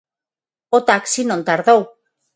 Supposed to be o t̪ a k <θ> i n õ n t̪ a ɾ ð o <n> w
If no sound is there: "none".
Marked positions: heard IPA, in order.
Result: s, none

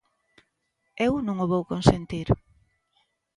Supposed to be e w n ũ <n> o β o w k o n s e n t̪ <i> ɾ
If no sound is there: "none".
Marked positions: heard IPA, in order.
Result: ŋ, i

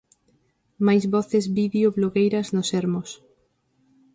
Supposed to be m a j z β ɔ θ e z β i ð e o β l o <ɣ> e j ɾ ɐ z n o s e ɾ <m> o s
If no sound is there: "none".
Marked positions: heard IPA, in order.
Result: ɣ, m

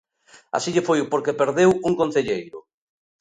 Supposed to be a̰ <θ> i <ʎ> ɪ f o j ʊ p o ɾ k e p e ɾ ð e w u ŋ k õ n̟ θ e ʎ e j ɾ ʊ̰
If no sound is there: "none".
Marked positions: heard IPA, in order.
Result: s, ʎ

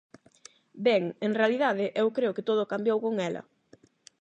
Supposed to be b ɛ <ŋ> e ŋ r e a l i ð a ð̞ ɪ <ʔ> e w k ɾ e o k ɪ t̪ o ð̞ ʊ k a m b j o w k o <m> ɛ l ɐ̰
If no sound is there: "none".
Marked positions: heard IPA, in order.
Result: ŋ, ʔ, ŋ

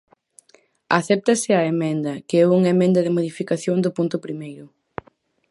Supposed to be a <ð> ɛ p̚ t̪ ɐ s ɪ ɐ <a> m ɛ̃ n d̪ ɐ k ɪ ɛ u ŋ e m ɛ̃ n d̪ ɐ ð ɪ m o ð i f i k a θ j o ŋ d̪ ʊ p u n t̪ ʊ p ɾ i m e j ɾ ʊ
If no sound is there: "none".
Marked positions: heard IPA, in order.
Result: θ, e

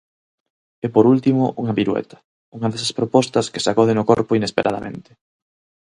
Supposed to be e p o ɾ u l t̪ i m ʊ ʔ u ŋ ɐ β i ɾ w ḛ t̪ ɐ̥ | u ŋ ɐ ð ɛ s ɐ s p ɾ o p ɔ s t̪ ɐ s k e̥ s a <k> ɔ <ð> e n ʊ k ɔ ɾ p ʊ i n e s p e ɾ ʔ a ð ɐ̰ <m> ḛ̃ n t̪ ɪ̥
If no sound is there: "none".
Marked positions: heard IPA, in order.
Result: k, ð, m

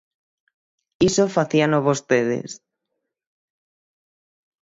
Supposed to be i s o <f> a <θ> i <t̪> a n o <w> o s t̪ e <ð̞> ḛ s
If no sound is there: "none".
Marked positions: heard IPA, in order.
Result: f, θ, none, β, ð̞

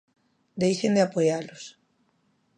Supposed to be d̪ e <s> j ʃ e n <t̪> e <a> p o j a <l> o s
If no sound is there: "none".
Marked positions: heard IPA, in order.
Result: none, d̪, a, l

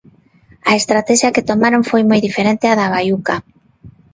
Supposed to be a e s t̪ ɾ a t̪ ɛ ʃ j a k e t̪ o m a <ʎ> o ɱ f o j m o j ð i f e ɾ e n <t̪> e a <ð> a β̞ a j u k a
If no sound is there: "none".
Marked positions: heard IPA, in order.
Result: ɾ, t̪, ð

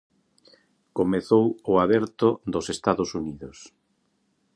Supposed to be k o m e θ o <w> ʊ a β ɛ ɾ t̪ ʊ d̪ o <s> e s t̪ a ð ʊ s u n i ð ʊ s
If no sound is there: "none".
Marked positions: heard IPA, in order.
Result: w, s

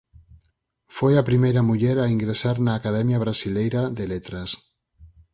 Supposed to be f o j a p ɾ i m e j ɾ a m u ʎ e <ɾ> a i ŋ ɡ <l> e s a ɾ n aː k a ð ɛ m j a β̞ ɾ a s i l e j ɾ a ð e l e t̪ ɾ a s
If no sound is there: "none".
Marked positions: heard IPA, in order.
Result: ɾ, ɾ

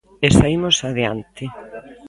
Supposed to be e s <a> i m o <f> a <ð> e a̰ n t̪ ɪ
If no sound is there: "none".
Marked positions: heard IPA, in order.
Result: a, s, ð

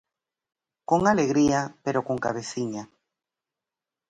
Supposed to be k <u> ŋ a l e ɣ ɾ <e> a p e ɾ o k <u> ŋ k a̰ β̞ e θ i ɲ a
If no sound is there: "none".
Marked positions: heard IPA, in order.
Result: o, i, o

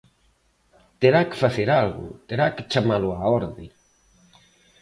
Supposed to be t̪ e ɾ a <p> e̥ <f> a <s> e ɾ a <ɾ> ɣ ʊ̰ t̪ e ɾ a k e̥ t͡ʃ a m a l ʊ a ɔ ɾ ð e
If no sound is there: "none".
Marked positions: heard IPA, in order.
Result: k, f, θ, l

